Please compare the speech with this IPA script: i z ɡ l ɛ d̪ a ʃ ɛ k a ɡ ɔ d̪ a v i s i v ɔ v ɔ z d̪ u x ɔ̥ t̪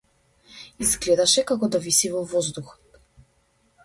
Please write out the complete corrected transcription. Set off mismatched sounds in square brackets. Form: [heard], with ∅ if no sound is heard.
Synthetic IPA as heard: i z ɡ l ɛ d̪ a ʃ ɛ k a [k] ɔ d̪ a v i s i v ɔ v ɔ z d̪ u x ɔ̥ t̪